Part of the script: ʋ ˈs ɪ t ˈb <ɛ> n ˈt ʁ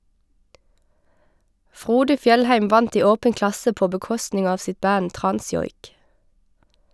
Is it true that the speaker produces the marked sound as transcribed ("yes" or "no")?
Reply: no